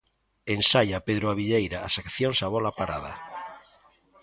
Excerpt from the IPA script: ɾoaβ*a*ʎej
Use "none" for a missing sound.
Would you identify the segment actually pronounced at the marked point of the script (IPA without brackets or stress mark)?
i